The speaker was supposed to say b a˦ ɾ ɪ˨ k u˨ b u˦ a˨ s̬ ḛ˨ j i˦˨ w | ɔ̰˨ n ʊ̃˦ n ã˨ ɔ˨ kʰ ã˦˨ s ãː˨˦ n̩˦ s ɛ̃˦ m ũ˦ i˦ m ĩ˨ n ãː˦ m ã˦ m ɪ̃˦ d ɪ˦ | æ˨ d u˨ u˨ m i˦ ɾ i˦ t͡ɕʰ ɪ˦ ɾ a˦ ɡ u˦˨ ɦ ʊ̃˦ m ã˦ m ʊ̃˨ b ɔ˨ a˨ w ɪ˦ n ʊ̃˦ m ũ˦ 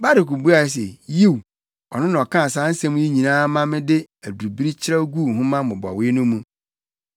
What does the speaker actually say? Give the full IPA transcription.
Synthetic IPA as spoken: b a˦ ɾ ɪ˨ k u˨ b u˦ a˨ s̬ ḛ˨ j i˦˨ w | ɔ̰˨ n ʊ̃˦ n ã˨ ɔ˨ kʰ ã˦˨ s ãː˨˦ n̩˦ s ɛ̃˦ m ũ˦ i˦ ɲ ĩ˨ n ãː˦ m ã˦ m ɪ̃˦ d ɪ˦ | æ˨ d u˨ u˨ b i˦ ɾ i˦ t͡ɕʰ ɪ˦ ɾ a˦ ɡ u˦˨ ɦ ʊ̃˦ m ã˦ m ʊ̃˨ b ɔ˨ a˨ w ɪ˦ n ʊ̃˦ m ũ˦